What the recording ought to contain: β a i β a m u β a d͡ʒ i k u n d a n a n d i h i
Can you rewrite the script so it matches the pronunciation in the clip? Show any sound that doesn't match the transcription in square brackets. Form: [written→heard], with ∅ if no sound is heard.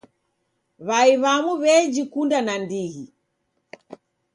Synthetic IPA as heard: β a i β a m u β [a→ɛ] d͡ʒ i k u n d a n a n d i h i